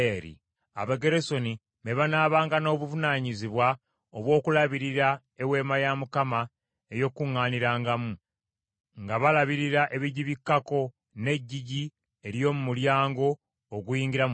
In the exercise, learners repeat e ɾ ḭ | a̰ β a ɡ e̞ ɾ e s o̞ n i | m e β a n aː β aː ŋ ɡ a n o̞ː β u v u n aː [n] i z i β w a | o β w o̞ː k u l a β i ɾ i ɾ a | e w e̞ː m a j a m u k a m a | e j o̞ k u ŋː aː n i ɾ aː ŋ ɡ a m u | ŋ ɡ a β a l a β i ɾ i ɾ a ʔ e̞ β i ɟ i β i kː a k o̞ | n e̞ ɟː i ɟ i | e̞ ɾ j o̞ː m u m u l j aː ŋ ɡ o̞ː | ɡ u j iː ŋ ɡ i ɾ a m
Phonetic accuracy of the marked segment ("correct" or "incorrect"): incorrect